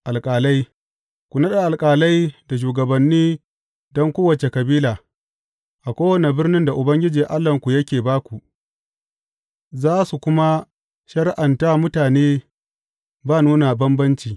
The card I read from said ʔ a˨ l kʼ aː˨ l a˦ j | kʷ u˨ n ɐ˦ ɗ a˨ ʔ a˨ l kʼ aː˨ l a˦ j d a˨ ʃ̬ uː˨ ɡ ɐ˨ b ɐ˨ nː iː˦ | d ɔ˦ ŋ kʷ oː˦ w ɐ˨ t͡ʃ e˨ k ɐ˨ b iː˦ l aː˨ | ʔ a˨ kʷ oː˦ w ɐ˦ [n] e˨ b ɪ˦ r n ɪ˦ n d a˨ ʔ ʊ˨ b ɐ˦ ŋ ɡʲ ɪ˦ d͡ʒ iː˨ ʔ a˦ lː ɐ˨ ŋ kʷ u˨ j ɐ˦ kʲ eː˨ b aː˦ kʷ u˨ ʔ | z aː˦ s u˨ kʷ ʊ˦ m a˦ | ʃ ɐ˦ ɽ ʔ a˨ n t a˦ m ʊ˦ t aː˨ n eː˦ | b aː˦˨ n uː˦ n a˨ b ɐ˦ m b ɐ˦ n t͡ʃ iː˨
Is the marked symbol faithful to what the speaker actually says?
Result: yes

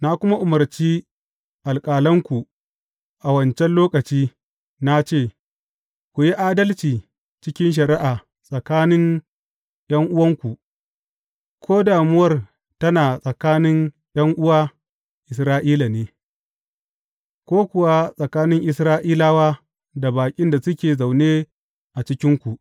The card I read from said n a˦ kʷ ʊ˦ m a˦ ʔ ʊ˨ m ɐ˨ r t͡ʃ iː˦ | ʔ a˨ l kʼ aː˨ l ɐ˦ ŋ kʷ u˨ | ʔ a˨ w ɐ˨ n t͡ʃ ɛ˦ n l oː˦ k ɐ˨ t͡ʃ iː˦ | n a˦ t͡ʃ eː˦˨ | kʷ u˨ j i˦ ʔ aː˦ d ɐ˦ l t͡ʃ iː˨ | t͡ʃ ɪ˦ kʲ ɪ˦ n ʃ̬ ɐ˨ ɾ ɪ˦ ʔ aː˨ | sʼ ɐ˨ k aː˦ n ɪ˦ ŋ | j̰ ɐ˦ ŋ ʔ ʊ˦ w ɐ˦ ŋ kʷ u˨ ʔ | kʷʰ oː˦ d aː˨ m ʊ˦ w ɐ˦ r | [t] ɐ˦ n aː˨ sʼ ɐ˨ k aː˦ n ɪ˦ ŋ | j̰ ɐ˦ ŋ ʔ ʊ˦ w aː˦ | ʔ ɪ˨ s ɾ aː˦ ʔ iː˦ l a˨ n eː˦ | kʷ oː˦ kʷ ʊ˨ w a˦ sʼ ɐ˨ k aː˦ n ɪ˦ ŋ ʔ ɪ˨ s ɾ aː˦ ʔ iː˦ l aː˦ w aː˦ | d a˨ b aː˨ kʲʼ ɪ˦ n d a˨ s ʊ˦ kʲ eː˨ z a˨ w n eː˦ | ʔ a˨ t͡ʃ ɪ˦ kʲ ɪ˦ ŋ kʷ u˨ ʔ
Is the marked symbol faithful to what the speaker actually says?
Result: yes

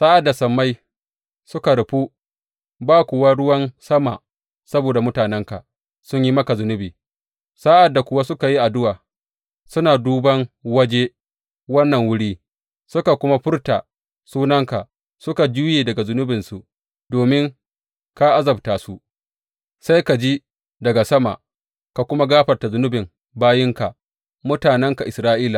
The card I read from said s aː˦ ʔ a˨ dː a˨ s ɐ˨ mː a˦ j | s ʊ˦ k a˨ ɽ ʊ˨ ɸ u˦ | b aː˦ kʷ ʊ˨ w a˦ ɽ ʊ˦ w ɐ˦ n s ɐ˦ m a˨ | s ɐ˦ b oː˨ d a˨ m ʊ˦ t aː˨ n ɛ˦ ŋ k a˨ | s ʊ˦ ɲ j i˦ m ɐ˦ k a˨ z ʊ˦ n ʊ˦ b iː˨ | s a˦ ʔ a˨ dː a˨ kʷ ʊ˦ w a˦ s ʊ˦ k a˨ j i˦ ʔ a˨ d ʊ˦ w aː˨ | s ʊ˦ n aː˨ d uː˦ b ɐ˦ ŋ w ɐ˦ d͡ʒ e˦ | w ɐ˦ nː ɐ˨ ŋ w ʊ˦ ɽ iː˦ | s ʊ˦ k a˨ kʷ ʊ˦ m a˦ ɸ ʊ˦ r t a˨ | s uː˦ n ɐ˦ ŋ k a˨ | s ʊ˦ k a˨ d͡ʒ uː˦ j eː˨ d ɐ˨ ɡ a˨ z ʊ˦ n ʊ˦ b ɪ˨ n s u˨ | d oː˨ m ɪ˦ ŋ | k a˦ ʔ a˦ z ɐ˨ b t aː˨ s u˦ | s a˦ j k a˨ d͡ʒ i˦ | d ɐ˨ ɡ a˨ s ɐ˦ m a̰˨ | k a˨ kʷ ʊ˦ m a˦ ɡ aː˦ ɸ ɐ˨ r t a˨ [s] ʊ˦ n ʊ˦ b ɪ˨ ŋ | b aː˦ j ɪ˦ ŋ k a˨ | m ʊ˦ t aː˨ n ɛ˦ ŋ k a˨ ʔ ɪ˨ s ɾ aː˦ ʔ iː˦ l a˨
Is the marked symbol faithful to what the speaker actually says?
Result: no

